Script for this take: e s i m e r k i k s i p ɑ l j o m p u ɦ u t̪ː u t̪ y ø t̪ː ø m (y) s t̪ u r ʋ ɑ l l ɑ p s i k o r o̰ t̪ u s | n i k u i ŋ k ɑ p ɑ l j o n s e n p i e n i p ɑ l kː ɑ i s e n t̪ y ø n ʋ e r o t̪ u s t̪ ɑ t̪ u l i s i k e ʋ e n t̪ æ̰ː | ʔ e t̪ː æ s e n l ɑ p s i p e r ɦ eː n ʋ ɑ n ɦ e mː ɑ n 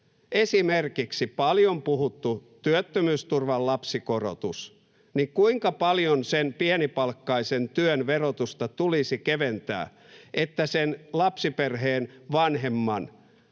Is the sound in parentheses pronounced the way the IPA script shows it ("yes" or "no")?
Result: no